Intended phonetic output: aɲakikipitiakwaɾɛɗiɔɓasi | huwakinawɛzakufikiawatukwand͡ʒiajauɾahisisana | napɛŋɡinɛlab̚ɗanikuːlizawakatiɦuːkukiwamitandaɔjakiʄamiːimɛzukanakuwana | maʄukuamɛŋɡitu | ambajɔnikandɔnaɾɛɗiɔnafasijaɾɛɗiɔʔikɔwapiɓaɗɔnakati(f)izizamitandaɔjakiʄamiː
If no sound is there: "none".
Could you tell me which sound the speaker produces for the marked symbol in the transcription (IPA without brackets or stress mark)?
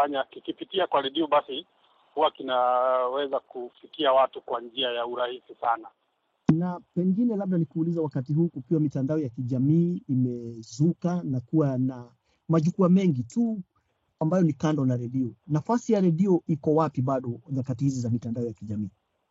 h